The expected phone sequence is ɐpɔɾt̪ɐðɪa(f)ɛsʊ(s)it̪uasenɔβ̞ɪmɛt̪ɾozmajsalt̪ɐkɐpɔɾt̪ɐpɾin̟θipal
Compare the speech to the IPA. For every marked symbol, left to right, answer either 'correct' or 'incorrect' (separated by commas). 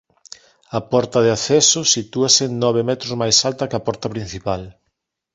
incorrect, correct